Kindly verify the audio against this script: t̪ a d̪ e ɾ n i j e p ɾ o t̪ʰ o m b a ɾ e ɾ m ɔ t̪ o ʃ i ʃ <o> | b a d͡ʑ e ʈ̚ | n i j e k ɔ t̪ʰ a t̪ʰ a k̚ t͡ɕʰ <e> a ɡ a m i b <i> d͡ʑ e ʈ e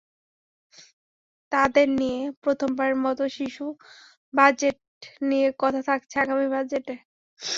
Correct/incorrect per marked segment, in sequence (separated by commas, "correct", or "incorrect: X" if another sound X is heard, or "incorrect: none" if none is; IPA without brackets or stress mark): incorrect: u, correct, incorrect: a